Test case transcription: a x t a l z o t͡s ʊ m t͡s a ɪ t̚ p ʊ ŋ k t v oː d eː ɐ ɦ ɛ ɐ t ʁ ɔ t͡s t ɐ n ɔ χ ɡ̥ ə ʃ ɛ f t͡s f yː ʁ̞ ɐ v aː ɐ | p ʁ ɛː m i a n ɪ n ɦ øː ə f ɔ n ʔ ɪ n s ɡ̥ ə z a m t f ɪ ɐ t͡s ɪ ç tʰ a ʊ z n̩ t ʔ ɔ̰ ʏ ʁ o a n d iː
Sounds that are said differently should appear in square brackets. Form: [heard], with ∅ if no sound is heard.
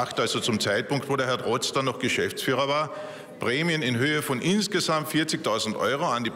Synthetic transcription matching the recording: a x t a l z o t͡s ʊ m t͡s a ɪ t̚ p ʊ ŋ k t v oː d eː ɐ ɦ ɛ ɐ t ʁ ɔ t͡s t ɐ n ɔ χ ɡ̥ ə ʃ ɛ f t͡s f yː ʁ̞ ɐ v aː ɐ | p ʁ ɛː m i [ə] n ɪ n ɦ øː ə f ɔ n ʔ ɪ n s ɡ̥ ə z a m t f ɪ ɐ t͡s ɪ ç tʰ a ʊ z n̩ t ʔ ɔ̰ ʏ ʁ o a n d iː